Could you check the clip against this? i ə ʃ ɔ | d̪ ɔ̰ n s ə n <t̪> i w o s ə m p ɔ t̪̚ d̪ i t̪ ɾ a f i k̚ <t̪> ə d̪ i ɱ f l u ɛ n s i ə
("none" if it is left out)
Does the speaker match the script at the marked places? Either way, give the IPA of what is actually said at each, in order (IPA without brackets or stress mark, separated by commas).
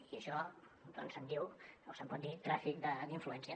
d̪, d̪